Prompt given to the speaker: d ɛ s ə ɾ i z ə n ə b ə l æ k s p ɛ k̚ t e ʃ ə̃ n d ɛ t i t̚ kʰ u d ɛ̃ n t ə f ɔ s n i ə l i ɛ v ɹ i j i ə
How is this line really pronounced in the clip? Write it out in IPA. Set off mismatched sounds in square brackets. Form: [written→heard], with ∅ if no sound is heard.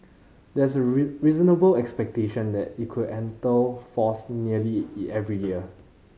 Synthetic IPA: d ɛ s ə [ɾ→ɹ] i z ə n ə b ə l [æ→ɛ] k s p ɛ k̚ t e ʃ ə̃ n d ɛ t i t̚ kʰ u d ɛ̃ n t ə f ɔ s n i ə l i ɛ v ɹ i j i ə

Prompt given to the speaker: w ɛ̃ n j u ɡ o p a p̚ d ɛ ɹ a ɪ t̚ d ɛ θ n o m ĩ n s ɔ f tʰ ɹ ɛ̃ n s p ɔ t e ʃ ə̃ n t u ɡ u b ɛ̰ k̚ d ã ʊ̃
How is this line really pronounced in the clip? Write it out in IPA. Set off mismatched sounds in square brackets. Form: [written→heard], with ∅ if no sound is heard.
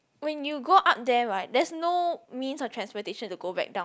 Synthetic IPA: w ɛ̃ n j u ɡ o [p→ʔ] a p̚ d ɛ ɹ a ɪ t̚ d ɛ [θ→s] n o m ĩ n s ɔ f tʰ ɹ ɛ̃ n s p ɔ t e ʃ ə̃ n t u ɡ [u→o] b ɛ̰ k̚ d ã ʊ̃

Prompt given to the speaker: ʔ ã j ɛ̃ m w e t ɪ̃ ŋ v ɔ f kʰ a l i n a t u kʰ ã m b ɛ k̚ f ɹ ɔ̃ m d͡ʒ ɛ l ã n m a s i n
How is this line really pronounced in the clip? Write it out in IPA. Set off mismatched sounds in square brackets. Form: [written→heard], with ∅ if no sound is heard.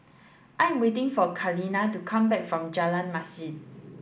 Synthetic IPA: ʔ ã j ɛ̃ m w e t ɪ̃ ŋ [v→f] ɔ [f→∅] kʰ a l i n a t u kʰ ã m b ɛ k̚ f ɹ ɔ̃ m d͡ʒ [ɛ→a] l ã n m a s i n

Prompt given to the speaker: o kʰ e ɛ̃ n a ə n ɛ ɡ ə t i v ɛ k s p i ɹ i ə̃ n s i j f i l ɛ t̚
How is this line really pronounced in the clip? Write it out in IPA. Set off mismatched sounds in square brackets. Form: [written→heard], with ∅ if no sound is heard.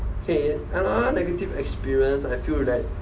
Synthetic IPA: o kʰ e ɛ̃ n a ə n ɛ ɡ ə t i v ɛ k s p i ɹ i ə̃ n s [i→a] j f i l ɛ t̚

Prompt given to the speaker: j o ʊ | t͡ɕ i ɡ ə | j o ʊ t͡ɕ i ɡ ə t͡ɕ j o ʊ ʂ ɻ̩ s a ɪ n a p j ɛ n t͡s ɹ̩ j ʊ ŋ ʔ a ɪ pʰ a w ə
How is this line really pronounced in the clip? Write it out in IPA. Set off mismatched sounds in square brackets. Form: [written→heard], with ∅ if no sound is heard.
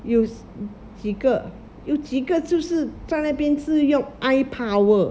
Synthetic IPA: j o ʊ | t͡ɕ i ɡ ə | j o ʊ t͡ɕ i ɡ ə t͡ɕ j o ʊ ʂ ɻ̩ [s→t͡s] a ɪ n a p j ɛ n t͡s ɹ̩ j ʊ ŋ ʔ a ɪ pʰ a w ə

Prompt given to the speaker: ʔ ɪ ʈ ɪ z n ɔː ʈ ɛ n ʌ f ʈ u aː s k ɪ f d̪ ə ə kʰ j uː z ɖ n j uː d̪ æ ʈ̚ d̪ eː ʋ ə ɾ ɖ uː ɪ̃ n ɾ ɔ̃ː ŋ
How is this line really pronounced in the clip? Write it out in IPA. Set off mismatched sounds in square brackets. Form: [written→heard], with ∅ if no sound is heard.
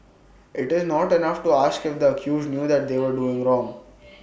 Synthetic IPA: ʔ ɪ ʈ ɪ z n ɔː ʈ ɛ n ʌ f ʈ u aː s k ɪ f d̪ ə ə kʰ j uː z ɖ n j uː d̪ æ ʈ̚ d̪ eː ʋ ə ɾ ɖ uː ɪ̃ [n→ŋ] ɾ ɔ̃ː ŋ

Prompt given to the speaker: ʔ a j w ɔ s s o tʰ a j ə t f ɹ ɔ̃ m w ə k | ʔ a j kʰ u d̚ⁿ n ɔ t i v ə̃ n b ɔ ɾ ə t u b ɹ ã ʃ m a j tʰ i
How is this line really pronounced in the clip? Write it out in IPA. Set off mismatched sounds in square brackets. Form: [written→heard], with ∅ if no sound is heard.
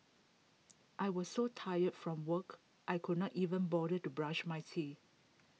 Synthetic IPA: ʔ a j w ɔ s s o tʰ a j ə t f ɹ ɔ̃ m w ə k | ʔ a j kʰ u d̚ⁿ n ɔ t i v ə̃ n b ɔ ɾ ə t u b ɹ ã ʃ m a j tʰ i

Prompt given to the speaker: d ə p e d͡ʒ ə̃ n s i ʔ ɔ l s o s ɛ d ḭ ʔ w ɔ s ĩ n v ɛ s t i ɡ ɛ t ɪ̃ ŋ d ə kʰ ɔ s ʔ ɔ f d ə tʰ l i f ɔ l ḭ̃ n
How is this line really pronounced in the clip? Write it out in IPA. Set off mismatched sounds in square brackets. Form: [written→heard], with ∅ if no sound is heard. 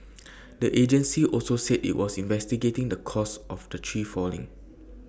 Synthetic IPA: d ə [p→ʔ] e d͡ʒ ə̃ n s i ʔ ɔ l s o s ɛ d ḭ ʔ w ɔ s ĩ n v ɛ s t i ɡ [ɛ→e] t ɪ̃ ŋ d ə kʰ ɔ s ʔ ɔ f d ə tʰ [l→ɹ] i f ɔ l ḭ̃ [n→ŋ]

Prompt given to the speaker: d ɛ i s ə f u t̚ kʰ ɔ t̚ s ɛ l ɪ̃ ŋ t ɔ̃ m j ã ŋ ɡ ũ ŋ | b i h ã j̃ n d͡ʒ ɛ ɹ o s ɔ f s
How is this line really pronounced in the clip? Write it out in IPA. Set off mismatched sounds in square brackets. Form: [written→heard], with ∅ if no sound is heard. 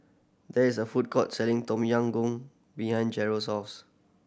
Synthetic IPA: d ɛ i s ə f u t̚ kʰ ɔ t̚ s ɛ l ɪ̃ ŋ t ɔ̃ m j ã ŋ ɡ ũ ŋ | b i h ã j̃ n d͡ʒ ɛ ɹ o s ɔ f s

